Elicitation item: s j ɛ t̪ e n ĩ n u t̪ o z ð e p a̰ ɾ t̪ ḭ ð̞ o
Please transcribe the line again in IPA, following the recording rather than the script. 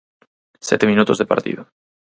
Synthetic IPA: s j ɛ t̪ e m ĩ n u t̪ o z ð e p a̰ ɾ t̪ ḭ ð̞ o